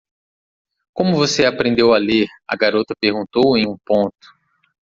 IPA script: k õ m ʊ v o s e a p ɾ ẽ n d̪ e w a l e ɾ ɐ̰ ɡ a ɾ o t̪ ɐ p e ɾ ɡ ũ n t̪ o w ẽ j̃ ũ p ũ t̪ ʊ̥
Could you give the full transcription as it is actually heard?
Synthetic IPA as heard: k õ m ʊ v o s e a p ɾ ẽ n d̪ e w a l e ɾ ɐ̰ ɡ a ɾ o t̪ ɐ p e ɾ ɡ ũ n t̪ o w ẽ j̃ ũ p õ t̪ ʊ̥